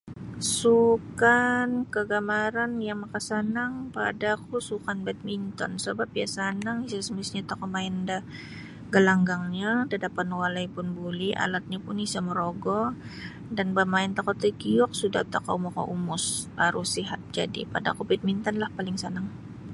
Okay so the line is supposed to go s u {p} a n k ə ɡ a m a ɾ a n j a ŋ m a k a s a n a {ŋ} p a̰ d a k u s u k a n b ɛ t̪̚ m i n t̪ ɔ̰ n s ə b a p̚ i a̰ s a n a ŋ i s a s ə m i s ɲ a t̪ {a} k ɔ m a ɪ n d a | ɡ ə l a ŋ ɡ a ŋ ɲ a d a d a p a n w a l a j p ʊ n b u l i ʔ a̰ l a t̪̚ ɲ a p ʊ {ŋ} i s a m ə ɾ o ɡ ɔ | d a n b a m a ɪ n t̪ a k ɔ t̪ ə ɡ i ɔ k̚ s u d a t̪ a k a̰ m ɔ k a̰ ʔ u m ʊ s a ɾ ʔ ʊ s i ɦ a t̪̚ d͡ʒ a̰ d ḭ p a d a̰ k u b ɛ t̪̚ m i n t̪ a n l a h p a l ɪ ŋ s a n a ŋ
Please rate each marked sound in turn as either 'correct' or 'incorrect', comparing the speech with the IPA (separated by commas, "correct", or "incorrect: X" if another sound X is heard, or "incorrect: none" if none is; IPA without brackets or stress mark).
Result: incorrect: k, correct, correct, incorrect: n